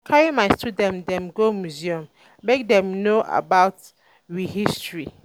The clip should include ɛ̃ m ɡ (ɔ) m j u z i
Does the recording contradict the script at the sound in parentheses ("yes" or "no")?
yes